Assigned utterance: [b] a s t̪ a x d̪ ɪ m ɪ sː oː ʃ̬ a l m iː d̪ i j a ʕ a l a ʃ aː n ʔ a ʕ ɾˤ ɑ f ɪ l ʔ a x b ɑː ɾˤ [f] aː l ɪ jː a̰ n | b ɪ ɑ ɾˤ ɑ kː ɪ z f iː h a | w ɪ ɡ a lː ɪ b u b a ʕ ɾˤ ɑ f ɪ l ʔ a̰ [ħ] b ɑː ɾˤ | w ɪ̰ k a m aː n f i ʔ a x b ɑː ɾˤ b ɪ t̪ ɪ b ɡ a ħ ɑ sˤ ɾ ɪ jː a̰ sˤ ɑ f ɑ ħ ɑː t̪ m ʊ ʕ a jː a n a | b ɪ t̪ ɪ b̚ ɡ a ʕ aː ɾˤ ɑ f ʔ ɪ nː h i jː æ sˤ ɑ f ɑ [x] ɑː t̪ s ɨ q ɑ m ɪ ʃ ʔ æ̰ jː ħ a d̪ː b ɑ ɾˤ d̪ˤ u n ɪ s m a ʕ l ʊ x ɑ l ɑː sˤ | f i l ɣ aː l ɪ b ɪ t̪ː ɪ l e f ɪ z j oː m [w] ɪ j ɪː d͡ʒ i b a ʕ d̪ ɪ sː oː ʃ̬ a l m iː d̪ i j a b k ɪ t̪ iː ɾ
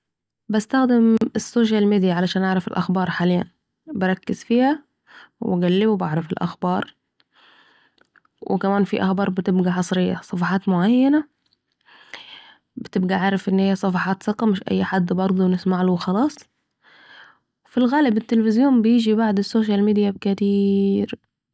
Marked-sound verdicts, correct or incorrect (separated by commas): correct, incorrect, incorrect, incorrect, incorrect